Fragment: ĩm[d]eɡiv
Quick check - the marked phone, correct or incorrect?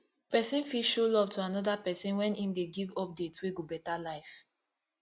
correct